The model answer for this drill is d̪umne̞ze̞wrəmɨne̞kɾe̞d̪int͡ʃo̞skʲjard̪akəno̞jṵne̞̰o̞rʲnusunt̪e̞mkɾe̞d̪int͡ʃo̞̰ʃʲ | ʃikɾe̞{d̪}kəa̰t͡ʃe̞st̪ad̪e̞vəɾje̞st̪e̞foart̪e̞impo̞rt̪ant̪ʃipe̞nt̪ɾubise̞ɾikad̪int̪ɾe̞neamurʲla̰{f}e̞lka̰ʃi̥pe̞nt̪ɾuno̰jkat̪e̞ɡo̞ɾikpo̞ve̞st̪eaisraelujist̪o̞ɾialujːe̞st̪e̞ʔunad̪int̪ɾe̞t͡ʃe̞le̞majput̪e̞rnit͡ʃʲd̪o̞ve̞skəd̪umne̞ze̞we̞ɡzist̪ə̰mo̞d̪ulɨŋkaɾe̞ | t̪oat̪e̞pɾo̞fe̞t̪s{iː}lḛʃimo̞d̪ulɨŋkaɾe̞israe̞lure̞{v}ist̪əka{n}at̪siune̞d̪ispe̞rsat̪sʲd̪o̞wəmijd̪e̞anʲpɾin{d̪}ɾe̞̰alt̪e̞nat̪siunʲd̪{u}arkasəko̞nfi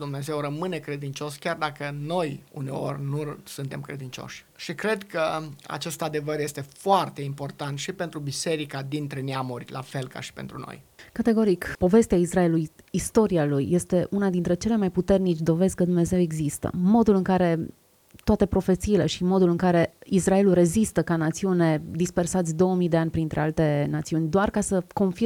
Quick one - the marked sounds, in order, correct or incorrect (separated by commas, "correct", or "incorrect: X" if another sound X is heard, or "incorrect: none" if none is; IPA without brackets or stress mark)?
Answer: correct, correct, correct, incorrect: z, correct, incorrect: t̪, incorrect: o